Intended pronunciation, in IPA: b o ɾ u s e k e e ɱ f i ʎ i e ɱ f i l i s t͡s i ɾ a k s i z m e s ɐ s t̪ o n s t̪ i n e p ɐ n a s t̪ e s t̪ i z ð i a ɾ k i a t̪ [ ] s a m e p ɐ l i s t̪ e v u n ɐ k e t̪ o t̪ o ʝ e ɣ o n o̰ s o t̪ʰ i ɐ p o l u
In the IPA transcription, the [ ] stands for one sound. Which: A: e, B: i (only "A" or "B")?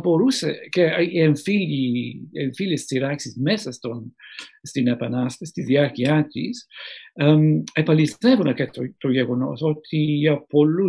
B